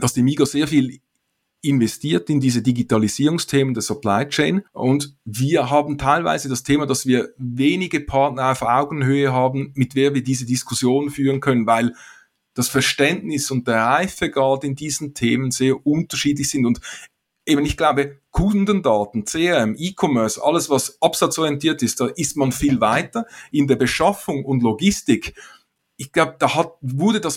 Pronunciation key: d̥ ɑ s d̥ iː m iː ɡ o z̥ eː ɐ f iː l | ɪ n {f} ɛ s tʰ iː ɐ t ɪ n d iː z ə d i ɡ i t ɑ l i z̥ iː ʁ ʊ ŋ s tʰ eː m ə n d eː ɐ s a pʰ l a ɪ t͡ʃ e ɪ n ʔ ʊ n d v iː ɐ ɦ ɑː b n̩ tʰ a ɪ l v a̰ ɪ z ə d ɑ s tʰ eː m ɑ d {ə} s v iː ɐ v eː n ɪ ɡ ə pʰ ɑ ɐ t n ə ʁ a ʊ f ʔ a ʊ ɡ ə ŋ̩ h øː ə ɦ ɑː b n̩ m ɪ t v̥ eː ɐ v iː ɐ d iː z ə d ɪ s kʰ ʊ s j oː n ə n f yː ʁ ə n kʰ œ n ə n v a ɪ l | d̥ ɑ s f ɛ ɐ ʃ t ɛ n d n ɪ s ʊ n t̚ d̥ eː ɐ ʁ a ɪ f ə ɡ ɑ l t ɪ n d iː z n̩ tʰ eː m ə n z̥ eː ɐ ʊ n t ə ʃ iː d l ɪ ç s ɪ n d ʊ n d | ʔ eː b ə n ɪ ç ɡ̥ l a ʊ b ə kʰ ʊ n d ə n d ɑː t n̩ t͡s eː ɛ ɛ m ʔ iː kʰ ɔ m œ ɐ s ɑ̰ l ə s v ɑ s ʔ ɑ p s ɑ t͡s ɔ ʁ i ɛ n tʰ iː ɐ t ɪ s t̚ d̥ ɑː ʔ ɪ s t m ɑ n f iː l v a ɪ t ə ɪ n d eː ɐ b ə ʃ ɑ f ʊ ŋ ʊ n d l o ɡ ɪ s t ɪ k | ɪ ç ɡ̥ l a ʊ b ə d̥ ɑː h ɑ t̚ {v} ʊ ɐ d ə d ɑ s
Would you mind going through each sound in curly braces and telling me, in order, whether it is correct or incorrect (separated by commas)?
incorrect, incorrect, correct